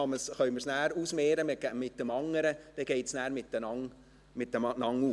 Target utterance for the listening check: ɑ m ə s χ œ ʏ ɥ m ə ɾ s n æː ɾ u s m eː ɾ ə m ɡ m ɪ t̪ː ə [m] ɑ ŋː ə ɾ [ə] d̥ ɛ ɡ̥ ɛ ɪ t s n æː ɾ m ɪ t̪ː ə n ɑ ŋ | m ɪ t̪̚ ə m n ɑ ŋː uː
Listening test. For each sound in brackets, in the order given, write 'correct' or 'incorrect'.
correct, correct

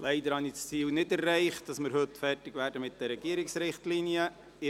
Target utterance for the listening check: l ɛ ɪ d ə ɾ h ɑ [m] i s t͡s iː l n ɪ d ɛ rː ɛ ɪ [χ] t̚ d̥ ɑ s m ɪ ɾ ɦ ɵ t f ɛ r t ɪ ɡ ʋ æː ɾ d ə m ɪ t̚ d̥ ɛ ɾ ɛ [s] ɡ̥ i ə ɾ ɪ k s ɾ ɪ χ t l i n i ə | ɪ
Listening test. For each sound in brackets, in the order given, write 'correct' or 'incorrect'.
incorrect, correct, incorrect

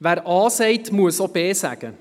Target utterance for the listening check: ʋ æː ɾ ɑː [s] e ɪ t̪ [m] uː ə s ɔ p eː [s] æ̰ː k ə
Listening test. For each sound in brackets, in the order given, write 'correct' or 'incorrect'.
correct, correct, correct

